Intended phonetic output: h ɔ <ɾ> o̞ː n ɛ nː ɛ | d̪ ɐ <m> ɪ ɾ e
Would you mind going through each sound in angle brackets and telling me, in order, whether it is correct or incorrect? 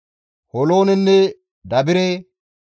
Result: incorrect, incorrect

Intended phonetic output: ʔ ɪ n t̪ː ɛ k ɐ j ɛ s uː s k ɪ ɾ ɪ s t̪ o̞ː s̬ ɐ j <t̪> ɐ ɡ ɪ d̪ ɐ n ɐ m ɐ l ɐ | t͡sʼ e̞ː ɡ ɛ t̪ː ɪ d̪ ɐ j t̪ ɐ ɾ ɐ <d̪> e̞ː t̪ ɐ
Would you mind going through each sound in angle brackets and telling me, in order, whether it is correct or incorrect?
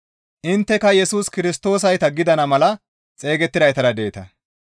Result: correct, correct

